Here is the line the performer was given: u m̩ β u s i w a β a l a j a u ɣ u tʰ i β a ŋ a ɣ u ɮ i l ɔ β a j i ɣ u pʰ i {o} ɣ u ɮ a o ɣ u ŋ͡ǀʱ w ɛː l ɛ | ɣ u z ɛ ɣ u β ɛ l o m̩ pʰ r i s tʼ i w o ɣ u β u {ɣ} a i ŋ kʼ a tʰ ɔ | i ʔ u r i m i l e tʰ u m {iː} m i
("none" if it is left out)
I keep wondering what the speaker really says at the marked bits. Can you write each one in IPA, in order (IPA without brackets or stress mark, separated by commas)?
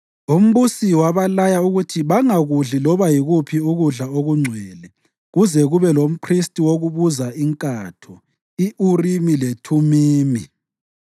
u, z, iː